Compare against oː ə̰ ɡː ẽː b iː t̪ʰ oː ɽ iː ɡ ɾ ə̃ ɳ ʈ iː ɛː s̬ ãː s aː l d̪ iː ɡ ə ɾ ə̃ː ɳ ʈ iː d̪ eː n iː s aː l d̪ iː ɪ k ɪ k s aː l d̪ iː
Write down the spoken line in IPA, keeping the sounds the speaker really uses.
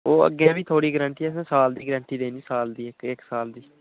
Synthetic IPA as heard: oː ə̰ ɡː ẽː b iː t̪ʰ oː ɽ iː ɡ ɾ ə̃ ɳ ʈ iː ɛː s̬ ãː s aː l d̪ iː ɡ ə ɾ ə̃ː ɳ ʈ iː d̪ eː n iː s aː l d̪ iː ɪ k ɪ k s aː l d̪ iː

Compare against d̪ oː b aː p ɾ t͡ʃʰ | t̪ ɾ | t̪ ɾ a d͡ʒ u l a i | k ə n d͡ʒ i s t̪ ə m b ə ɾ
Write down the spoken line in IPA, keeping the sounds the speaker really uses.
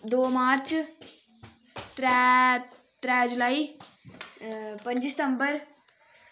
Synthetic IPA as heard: d̪ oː m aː ɾ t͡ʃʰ | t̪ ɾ | t̪ ɾ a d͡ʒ u l a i | p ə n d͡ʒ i s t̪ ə m b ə ɾ

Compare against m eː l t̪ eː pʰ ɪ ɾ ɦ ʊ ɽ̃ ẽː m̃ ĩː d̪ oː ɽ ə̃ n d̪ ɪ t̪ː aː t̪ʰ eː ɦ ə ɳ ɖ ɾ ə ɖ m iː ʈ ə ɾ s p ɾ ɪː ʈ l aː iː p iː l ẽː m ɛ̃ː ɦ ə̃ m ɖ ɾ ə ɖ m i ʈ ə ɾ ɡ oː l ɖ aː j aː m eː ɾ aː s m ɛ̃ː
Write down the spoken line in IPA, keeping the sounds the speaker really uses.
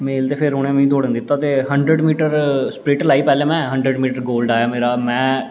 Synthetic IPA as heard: m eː l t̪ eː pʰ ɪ ɾ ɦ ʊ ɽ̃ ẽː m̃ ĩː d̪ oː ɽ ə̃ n d̪ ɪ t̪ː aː t̪ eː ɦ ə ɳ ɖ ɾ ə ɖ m iː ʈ ə ɾ s p ɾ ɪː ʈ l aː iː p ɛː l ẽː m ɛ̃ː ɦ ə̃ ɳ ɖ ɾ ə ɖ m iː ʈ ə ɾ ɡ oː l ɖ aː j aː m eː ɾ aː m ɛ̃ː

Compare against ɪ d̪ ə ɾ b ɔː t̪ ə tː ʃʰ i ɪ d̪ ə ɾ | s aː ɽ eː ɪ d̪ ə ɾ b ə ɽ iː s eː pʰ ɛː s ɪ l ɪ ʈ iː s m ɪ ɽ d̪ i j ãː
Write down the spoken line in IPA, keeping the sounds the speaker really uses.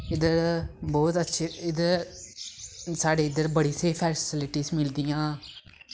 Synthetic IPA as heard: ɪ d̪ ə ɾ b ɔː t̪ ə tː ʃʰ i ɪ d̪ ə ɾ | s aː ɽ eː ɪ d̪ ə ɾ b ə ɽ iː s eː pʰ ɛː s ɪ l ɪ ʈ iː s m ɪ l d̪ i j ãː

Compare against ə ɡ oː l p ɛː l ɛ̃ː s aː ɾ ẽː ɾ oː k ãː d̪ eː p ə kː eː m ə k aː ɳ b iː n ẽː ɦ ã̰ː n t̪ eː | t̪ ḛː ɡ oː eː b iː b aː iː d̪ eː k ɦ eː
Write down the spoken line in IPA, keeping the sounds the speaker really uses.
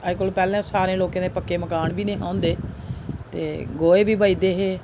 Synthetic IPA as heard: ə k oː l p ɛː l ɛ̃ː s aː ɾ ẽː l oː k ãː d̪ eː p ə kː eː m ə k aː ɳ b iː n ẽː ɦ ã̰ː n d̪ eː | t̪ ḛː ɡ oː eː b iː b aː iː d̪ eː ɦ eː

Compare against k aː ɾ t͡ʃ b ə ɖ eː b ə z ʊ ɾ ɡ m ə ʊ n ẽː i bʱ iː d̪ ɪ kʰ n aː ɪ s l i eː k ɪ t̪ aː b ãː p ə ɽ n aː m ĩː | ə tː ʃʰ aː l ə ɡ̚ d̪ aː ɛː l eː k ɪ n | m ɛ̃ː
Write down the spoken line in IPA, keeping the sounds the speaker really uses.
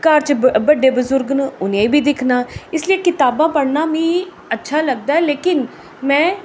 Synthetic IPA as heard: k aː ɾ t͡ʃ b ə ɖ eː b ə z ʊ ɾ ɡ n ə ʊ n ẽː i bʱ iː d̪ ɪ kʰ n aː ɪ s l i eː k ɪ t̪ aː b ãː p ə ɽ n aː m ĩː | ə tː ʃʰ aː l ə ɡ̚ d̪ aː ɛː l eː k ɪ n | m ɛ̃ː

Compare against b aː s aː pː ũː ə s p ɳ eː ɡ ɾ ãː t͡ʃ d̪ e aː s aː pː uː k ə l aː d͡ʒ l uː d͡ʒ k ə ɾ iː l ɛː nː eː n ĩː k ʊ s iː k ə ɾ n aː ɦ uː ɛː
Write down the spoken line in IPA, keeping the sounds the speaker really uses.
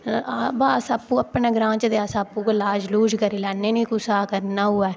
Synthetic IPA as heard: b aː s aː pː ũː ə p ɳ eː ɡ ɾ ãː t͡ʃ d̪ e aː s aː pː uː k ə l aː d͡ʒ l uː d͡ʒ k ə ɾ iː l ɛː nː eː n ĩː k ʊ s aː k ə ɾ n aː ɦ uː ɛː

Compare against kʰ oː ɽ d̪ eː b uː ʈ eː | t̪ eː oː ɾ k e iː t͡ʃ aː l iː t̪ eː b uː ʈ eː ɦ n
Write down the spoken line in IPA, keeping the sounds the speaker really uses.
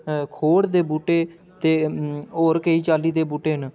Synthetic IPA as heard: kʰ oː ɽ d̪ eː b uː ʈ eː | t̪ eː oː ɾ k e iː t͡ʃ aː l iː d̪ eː b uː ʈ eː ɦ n

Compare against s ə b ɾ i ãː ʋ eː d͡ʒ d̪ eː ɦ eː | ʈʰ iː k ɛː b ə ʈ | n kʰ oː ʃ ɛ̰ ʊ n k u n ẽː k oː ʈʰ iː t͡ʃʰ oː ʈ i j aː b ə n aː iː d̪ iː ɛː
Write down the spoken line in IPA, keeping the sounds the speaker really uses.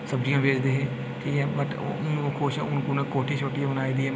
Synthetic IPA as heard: s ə b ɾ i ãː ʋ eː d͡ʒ d̪ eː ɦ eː | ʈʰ iː k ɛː b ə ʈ | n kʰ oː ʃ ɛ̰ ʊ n k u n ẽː k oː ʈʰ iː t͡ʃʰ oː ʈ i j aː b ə n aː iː d̪ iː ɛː

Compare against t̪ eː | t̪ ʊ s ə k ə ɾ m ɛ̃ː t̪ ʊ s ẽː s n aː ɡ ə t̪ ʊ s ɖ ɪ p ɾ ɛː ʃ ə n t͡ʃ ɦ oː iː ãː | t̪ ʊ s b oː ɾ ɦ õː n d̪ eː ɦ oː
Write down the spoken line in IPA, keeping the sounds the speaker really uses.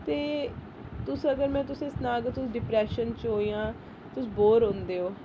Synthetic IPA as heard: t̪ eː | t̪ ʊ s ə ɡ ə ɾ m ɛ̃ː t̪ ʊ s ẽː s n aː ɡ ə t̪ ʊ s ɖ ɪ p ɾ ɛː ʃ ə n t͡ʃ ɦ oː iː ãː | t̪ ʊ s b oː ɾ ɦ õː n d̪ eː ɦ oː

